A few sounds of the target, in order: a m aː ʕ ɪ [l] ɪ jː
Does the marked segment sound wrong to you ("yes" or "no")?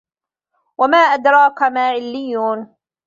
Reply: yes